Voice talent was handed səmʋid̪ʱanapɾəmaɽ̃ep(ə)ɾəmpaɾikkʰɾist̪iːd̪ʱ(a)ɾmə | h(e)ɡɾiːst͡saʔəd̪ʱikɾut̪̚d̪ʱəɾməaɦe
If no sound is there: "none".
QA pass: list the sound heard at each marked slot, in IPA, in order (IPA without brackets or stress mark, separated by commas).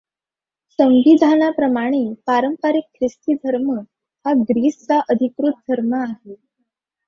a, ə, a